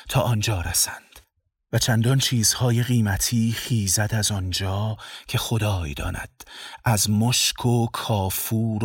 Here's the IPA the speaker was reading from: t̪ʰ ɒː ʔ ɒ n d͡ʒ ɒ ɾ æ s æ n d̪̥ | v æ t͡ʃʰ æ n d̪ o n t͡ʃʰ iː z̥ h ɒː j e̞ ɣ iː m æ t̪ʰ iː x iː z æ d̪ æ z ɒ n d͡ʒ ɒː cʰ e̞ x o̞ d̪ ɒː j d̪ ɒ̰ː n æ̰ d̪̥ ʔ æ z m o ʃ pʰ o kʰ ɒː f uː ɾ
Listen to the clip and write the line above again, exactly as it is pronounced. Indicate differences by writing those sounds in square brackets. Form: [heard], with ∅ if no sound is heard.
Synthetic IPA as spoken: t̪ʰ ɒː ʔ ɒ n d͡ʒ [ɒː] ɾ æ s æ n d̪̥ | v æ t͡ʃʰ æ n d̪ [ɒ] n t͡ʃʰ iː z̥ h ɒː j e̞ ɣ iː m æ t̪ʰ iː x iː z æ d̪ æ z ɒ n d͡ʒ ɒː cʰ e̞ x o̞ d̪ ɒː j d̪ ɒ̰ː n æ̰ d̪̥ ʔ æ z m o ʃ [kʰ] o kʰ ɒː f uː ɾ